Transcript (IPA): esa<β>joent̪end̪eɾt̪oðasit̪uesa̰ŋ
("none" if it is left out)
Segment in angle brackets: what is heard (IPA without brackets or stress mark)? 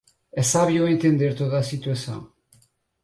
β